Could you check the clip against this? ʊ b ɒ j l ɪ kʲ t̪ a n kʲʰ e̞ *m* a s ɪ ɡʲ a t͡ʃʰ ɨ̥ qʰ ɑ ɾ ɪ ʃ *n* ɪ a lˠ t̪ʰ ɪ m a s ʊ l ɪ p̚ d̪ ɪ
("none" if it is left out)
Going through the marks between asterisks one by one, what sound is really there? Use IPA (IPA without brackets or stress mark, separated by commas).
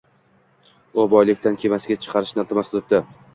m, n